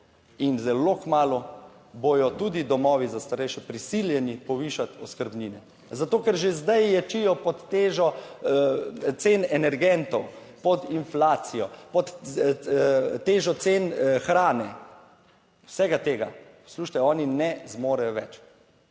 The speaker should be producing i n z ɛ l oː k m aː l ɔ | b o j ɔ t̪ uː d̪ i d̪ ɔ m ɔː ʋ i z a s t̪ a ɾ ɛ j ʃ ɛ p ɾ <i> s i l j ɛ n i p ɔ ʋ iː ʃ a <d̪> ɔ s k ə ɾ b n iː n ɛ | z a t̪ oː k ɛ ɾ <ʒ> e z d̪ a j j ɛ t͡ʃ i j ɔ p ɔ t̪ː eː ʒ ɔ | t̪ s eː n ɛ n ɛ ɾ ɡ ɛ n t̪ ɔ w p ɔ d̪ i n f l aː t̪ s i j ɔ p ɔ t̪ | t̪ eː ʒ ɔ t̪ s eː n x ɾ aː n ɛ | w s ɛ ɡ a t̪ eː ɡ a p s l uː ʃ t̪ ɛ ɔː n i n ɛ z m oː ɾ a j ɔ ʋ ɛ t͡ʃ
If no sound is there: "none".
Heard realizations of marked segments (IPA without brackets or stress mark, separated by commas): i, t̪, ʒ